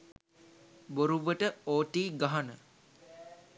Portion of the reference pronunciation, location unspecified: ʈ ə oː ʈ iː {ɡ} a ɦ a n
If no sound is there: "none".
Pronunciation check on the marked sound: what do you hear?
ɡ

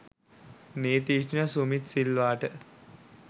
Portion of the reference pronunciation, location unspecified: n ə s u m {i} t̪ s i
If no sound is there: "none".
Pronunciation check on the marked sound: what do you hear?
i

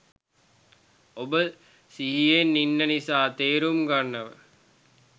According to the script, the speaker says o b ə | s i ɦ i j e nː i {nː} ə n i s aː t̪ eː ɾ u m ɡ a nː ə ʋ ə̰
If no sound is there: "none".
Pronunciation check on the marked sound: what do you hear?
nː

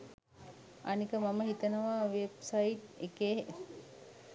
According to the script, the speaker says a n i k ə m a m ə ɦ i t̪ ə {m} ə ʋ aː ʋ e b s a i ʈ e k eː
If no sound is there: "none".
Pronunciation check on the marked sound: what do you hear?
n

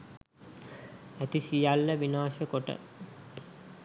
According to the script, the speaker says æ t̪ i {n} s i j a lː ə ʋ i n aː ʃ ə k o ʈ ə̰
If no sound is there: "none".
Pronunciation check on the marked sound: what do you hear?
none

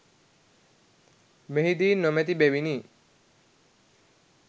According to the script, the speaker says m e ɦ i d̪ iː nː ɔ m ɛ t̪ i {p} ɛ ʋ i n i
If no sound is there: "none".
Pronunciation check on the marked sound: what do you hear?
b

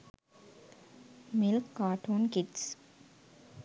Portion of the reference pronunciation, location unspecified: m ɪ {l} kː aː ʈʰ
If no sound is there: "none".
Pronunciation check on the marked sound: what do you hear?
l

